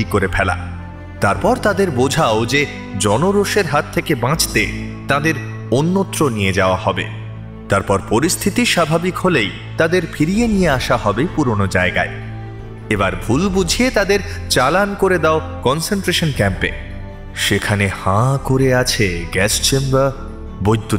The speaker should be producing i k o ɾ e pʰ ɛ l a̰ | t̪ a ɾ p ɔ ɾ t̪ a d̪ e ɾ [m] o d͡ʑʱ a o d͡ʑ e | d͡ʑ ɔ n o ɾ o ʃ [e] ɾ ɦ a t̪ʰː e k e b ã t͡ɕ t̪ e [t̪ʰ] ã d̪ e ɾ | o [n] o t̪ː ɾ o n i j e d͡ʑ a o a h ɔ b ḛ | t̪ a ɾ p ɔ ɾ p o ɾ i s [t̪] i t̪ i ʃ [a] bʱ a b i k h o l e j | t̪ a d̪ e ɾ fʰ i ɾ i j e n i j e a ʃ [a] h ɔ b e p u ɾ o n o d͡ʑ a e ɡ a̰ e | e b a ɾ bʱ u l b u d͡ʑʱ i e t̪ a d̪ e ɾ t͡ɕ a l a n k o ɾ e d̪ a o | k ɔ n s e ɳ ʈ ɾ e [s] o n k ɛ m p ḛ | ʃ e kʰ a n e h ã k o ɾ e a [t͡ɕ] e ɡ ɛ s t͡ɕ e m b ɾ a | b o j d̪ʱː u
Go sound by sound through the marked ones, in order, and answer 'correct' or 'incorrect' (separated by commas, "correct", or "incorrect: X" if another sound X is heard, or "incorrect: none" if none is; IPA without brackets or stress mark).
incorrect: b, correct, incorrect: t̪, incorrect: nː, incorrect: t̪ʰ, correct, correct, incorrect: ʃ, incorrect: t͡ɕʰ